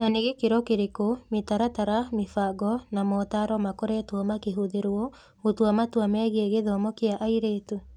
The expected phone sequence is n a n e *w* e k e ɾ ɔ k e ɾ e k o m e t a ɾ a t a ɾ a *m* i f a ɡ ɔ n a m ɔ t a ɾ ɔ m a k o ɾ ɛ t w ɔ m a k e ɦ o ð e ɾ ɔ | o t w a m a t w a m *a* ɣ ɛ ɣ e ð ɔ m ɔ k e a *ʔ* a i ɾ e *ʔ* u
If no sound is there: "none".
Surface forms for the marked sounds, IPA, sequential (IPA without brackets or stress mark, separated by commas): ɣ, m, ɛ, ʔ, t